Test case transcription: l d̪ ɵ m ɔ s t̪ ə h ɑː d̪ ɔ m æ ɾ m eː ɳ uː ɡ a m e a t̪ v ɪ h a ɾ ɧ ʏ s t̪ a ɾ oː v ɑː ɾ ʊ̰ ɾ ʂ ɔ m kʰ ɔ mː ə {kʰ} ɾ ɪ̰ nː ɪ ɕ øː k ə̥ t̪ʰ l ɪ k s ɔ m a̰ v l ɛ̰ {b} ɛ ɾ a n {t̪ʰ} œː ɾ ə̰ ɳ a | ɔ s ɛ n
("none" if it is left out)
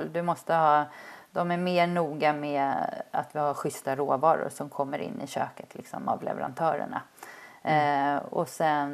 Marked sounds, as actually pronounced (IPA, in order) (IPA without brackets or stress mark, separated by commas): none, v, t̪ʰ